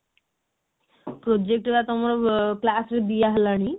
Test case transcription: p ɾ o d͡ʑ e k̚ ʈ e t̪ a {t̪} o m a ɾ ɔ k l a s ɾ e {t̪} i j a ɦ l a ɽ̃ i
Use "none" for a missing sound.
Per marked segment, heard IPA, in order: t̪, d̪

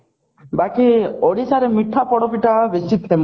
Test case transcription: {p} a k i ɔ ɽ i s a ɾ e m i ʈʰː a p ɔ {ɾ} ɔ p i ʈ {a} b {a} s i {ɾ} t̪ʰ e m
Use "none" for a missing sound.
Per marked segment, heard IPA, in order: b, ɽ, a, e, none

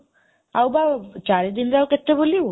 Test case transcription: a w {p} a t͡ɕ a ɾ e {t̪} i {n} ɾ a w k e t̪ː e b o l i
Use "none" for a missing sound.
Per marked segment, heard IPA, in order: b, d̪, n

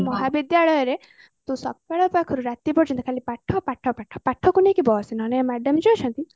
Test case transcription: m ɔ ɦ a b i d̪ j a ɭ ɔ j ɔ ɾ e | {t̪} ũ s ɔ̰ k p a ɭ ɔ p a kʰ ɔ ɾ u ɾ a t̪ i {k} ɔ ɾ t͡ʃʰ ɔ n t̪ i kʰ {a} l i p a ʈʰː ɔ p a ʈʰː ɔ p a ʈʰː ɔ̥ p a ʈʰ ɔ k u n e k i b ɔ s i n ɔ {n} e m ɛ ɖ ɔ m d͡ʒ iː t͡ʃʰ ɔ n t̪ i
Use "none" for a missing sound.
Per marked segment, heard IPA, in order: t̪, p, a, n

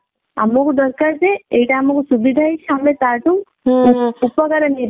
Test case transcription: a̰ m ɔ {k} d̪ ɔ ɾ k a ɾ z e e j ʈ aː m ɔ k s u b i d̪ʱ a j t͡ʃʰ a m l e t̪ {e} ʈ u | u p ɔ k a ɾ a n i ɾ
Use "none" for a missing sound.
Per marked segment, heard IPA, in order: k, a

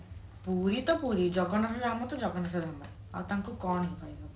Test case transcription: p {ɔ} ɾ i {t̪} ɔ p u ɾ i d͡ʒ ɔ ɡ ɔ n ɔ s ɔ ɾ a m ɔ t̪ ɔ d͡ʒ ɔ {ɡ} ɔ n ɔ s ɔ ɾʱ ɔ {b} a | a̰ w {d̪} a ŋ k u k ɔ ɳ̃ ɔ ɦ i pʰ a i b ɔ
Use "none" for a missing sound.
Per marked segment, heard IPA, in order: u, t̪, ɡ, m, t̪

